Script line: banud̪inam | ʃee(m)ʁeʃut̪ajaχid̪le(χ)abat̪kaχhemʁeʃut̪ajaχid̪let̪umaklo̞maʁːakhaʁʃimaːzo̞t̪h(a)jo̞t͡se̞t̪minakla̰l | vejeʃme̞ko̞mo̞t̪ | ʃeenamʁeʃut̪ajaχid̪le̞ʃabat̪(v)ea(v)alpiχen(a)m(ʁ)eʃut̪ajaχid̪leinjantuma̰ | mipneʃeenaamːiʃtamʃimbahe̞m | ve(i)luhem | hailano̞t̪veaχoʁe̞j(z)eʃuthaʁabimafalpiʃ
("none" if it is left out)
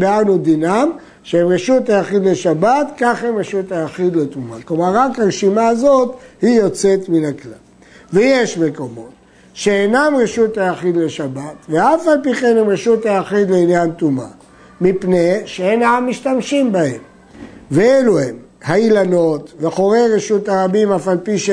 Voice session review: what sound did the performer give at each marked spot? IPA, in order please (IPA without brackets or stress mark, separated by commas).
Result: m, ʃ, i, v, f, e, ʁ, e, ʁ